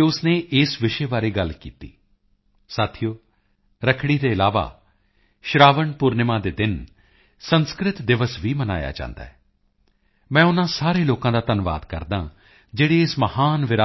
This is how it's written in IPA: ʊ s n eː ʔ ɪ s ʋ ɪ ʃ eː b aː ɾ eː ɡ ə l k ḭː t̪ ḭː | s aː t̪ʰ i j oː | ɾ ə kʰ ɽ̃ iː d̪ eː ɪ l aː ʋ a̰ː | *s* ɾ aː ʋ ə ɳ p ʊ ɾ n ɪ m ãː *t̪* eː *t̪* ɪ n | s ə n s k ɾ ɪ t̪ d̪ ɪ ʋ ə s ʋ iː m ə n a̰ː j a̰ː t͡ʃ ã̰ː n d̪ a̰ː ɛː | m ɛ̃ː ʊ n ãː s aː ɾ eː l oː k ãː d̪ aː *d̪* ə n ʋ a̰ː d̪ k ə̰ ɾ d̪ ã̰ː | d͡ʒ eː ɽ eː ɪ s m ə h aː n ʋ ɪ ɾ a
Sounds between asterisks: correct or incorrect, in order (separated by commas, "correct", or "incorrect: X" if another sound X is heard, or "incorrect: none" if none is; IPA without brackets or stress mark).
incorrect: ʃ, incorrect: d̪, incorrect: d̪, incorrect: t̪